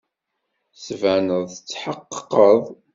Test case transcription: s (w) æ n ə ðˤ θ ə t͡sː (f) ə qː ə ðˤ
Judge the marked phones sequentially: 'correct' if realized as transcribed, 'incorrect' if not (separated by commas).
incorrect, incorrect